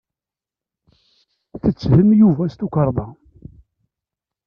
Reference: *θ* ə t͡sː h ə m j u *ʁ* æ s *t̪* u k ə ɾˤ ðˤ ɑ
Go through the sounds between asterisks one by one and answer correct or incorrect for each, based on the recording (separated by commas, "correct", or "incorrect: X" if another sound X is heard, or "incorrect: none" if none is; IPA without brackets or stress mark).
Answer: correct, incorrect: v, correct